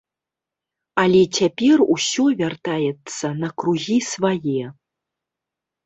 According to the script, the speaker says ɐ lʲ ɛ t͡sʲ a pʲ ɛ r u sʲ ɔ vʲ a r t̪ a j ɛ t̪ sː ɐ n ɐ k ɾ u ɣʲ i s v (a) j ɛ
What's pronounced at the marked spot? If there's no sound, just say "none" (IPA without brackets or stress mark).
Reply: a